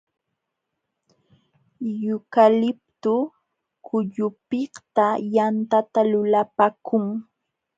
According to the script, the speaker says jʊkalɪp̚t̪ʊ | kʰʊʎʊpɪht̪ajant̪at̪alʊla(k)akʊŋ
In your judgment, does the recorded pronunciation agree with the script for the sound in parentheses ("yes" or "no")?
no